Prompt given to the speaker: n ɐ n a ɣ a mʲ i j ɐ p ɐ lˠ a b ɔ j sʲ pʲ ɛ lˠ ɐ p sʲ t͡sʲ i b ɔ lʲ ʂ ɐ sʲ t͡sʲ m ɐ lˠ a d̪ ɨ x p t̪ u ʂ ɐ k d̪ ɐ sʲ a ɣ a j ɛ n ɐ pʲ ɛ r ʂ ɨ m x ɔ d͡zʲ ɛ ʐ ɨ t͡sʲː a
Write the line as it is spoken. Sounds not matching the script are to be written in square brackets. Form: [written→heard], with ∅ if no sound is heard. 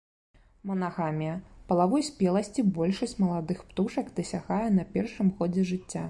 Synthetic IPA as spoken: [n→m] ɐ n a ɣ a mʲ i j ɐ p ɐ lˠ a [b→v] ɔ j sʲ pʲ ɛ lˠ ɐ [p→∅] sʲ t͡sʲ i b ɔ lʲ ʂ ɐ sʲ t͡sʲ m ɐ lˠ a d̪ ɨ x p t̪ u ʂ ɐ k d̪ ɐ sʲ a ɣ a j ɛ n ɐ pʲ ɛ r ʂ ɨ m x ɔ d͡zʲ ɛ ʐ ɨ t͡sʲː a